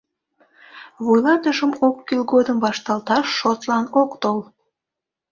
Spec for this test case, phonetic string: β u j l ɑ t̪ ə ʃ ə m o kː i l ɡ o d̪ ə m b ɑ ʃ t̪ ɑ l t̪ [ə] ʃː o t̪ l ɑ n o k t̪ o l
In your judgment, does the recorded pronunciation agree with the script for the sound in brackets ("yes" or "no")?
no